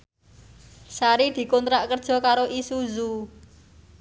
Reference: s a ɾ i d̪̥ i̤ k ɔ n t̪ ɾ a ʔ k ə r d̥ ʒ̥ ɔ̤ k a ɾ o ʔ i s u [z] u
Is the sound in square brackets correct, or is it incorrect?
correct